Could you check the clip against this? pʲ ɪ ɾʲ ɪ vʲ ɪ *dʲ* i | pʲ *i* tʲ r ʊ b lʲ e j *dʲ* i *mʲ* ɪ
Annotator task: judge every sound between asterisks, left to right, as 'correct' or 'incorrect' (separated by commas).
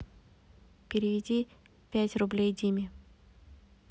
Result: correct, incorrect, correct, correct